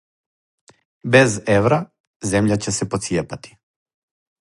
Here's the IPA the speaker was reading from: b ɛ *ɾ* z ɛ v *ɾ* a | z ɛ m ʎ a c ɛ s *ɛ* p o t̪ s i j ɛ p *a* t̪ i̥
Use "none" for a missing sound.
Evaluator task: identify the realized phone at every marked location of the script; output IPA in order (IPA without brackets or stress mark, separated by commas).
none, ɾ, ɛ, a